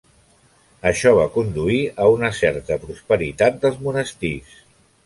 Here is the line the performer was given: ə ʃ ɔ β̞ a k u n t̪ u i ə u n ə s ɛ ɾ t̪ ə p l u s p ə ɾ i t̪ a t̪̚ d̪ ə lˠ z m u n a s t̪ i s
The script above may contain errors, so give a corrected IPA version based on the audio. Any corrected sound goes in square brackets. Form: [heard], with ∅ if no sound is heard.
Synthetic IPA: ə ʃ ɔ β̞ a k u n [d̪] u i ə u n ə s ɛ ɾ t̪ ə p [ɾ] u s p ə ɾ i t̪ a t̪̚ d̪ ə lˠ z m u n [ə] s t̪ i s